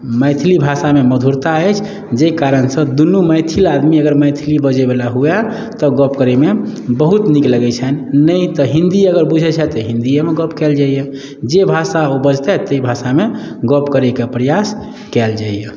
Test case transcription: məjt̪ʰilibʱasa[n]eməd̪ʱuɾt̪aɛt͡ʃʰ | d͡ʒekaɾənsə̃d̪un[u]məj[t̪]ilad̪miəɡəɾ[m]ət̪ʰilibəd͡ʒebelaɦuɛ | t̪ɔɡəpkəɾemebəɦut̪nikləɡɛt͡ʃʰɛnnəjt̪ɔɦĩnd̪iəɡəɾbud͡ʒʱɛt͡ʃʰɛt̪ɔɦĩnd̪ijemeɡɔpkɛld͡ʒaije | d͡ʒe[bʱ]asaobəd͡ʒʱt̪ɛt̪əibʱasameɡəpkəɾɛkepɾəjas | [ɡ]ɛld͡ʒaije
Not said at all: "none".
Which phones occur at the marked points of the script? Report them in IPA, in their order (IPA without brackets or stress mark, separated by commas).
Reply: m, u, t̪ʰ, m, bʱ, k